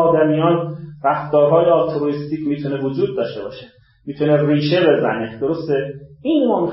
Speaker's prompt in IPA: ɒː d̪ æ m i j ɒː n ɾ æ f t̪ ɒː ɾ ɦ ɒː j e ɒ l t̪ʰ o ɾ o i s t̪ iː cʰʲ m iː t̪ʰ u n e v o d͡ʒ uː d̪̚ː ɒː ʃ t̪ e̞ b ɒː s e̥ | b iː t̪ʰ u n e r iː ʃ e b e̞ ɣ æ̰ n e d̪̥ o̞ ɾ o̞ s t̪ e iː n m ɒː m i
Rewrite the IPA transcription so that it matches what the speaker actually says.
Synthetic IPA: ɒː d̪ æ m i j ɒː n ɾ æ f t̪ ɒː ɾ ɦ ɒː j e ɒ l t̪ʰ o ɾ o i s t̪ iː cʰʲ m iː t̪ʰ u n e v o d͡ʒ uː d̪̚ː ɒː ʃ t̪ e̞ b ɒː ʃ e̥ | m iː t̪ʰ u n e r iː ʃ e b e̞ z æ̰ n e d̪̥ o̞ ɾ o̞ s t̪ e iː n m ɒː m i